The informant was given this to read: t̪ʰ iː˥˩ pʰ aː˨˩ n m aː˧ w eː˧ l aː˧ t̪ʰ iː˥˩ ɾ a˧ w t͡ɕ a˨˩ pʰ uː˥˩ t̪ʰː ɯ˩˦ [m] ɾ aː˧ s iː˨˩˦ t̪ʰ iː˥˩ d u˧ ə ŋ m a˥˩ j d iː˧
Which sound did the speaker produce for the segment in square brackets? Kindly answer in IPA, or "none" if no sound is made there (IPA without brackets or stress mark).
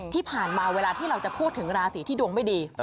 ŋ